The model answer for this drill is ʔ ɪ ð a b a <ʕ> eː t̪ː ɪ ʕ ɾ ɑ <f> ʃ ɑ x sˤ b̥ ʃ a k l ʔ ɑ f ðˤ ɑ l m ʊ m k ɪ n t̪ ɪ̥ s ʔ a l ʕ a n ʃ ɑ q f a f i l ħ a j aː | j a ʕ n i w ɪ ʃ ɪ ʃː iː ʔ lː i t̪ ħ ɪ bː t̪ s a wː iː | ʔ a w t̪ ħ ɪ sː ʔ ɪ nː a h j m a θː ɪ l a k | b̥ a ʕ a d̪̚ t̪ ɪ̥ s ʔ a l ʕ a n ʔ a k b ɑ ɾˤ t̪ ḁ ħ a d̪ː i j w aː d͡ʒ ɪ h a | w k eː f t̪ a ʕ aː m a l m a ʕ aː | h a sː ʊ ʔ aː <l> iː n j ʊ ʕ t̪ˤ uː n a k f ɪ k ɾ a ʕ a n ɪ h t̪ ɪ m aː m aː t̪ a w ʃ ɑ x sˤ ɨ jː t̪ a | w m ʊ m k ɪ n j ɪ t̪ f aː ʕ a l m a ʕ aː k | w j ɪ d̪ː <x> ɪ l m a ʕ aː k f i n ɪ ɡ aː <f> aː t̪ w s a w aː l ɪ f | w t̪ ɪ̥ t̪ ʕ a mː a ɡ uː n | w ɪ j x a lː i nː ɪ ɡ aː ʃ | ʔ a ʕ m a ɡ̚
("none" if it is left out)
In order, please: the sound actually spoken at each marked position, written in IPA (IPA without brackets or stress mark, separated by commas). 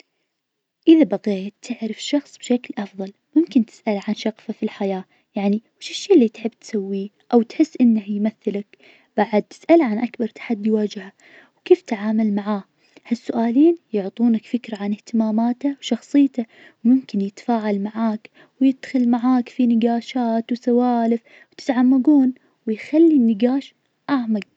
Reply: ɣ, f, l, x, ʃ